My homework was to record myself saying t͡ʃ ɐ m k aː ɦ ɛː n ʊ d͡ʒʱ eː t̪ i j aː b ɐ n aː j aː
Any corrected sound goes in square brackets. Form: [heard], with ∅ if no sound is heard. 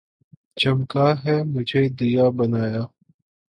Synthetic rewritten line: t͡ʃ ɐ m k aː ɦ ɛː [m] ʊ d͡ʒʱ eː [d̪] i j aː b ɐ n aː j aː